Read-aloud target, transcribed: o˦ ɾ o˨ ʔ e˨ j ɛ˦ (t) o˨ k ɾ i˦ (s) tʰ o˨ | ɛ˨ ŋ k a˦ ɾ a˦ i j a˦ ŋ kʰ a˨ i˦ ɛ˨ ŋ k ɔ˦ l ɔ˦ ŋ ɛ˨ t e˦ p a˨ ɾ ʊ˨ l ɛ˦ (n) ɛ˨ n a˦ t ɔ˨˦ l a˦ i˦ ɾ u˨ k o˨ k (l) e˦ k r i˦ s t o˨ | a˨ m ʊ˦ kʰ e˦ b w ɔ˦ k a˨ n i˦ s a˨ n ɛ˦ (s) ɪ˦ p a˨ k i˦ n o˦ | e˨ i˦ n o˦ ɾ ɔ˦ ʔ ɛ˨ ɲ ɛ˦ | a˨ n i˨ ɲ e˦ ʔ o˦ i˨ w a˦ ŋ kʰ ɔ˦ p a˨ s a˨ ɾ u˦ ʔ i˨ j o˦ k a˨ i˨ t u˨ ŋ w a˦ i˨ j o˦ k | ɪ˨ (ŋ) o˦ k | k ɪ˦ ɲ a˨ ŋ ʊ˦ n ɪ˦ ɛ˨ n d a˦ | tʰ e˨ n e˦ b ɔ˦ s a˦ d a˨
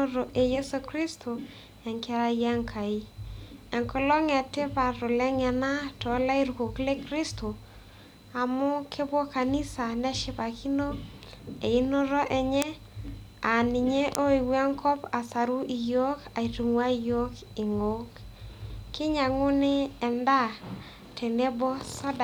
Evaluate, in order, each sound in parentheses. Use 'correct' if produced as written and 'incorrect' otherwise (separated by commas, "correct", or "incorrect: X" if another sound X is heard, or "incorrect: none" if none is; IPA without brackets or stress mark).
incorrect: s, correct, incorrect: ŋ, correct, incorrect: ʃ, correct